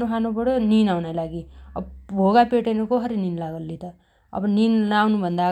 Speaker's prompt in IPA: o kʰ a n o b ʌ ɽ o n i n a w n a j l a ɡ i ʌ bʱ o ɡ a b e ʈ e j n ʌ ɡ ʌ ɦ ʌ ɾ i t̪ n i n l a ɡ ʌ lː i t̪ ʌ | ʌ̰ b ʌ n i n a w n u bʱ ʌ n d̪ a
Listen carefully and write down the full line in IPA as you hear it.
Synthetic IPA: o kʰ a n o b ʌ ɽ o n i n a w n a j l a ɡ i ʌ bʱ o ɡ a p e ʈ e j n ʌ k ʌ ɦ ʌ ɾ i n i n l a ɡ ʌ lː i t̪ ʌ | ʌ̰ b ʌ n i n a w n u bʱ ʌ n d̪ a